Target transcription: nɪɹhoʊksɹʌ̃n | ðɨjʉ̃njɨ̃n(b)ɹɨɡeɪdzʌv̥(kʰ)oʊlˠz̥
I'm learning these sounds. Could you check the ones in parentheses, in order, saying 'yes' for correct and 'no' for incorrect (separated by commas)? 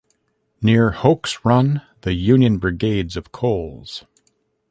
yes, yes